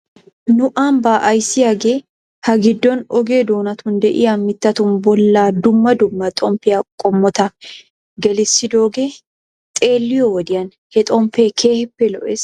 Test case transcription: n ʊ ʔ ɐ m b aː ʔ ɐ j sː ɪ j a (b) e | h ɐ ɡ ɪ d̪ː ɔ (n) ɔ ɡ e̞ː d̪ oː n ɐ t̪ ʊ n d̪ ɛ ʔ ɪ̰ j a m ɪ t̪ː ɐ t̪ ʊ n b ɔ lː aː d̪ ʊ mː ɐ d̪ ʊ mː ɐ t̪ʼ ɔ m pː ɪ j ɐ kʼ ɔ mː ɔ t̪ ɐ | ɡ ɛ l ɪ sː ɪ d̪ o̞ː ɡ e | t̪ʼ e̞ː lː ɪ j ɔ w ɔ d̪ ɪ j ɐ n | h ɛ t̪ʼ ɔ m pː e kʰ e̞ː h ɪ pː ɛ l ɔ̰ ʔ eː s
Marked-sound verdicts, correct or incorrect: incorrect: ɡ, correct

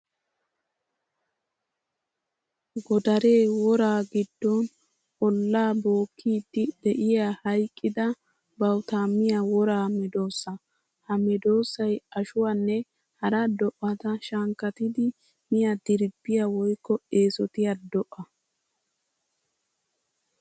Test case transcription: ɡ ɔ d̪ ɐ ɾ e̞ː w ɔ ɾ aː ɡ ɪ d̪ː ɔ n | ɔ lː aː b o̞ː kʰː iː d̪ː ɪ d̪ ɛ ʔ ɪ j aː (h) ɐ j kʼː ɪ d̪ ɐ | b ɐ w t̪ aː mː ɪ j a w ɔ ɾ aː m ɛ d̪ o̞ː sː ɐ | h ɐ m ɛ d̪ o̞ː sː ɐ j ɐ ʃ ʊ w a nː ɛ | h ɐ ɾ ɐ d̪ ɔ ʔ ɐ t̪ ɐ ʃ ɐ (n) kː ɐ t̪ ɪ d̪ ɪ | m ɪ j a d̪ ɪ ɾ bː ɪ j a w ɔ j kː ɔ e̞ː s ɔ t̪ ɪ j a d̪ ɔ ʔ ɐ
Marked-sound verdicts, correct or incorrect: correct, incorrect: ŋ

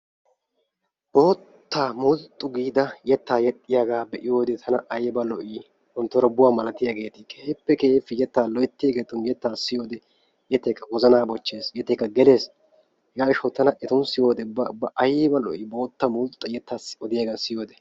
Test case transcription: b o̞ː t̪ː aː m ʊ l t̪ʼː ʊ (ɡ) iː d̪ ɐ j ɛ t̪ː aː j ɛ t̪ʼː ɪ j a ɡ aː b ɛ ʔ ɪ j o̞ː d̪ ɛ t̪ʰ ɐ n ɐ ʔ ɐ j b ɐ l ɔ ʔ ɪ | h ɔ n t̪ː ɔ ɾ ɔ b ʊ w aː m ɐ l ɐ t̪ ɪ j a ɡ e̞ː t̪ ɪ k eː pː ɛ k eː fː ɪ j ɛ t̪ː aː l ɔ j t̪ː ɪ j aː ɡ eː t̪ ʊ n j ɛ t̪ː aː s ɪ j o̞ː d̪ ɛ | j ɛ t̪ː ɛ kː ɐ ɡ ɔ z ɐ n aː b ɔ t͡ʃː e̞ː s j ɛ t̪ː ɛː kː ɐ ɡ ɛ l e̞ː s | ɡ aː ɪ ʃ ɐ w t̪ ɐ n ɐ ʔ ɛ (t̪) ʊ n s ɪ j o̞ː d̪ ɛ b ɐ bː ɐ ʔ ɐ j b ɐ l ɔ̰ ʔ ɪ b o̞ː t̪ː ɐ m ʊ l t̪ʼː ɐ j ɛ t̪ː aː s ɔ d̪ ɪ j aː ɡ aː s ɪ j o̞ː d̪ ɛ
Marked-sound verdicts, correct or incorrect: correct, correct

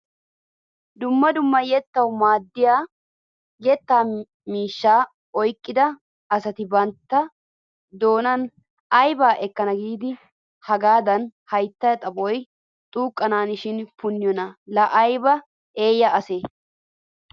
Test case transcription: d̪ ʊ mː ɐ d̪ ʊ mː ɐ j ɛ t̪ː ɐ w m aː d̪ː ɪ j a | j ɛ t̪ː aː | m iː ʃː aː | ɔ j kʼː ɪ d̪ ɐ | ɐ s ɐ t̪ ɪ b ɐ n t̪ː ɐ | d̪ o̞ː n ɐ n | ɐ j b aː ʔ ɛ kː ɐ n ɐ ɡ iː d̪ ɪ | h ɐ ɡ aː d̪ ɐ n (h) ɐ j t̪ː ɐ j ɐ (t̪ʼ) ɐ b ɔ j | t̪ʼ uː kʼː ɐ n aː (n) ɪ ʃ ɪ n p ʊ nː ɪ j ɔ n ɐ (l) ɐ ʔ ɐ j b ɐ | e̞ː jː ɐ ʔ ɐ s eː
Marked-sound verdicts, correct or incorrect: correct, correct, correct, correct

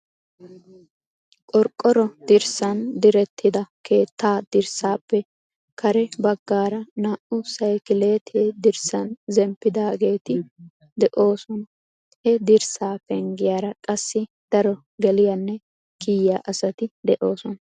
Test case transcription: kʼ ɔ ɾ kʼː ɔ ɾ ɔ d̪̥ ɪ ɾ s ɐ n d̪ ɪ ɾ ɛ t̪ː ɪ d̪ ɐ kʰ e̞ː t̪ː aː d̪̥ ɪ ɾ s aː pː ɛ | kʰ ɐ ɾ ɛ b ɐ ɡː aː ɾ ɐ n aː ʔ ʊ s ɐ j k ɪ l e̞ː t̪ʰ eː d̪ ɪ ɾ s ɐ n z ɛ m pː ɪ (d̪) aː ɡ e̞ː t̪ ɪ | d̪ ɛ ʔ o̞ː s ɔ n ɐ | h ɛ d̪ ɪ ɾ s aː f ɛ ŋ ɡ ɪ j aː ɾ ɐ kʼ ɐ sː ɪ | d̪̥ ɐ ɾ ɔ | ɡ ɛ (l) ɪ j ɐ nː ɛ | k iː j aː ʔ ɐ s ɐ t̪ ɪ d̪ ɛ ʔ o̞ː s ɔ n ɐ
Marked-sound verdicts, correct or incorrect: correct, correct

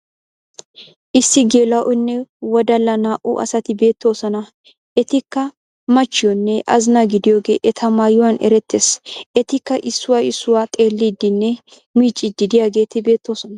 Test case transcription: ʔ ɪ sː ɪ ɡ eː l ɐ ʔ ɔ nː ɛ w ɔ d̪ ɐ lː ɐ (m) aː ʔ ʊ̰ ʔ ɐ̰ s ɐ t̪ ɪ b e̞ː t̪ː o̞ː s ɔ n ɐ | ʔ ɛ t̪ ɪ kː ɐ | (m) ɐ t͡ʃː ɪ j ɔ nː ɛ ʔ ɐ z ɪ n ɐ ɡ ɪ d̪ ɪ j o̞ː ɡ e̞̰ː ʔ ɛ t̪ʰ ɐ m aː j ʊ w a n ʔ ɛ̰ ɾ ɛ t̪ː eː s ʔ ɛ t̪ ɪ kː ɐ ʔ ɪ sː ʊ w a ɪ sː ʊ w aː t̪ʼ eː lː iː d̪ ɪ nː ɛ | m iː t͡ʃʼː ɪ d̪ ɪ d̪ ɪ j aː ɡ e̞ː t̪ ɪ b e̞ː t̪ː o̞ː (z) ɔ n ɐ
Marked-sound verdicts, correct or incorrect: incorrect: n, correct, incorrect: s

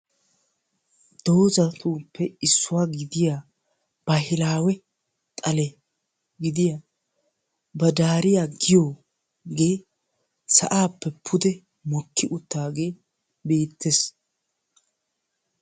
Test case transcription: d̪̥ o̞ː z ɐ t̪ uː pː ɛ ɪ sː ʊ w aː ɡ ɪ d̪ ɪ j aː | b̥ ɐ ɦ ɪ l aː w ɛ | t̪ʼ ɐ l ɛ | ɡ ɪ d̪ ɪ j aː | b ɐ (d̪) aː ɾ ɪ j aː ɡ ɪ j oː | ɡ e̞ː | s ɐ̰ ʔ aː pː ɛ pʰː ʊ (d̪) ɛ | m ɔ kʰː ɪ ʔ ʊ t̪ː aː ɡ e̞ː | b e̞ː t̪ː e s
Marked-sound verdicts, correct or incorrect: correct, correct

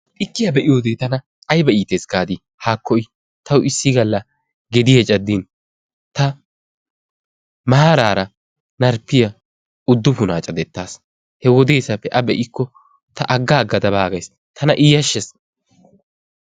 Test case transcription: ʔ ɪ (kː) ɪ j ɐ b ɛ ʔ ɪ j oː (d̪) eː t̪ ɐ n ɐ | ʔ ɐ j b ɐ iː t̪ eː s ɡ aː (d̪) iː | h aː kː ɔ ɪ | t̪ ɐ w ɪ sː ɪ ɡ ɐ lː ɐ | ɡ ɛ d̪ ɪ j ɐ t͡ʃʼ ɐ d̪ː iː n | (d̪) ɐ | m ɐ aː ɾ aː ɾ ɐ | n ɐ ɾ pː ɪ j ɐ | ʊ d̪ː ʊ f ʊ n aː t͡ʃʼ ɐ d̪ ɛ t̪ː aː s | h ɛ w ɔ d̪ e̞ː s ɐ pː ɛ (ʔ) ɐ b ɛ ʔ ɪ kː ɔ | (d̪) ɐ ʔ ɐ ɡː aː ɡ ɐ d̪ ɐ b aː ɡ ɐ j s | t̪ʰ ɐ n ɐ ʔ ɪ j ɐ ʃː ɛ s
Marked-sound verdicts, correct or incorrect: correct, correct, correct, incorrect: t̪, correct, incorrect: t̪

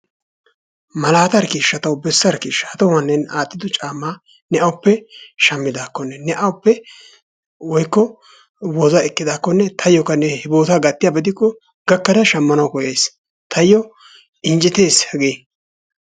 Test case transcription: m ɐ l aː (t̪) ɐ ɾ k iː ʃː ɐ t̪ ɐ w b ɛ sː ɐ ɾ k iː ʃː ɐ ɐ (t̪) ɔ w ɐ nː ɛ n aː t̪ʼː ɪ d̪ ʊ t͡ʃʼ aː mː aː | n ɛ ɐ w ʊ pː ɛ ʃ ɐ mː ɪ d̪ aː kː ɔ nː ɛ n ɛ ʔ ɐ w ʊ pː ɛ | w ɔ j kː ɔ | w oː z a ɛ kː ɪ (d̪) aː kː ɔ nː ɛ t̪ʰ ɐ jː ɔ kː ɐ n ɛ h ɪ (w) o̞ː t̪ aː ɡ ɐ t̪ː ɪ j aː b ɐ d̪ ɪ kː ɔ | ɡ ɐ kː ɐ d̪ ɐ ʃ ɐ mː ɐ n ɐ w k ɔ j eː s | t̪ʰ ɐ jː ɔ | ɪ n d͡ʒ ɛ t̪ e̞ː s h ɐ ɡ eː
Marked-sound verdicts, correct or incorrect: correct, correct, correct, incorrect: b

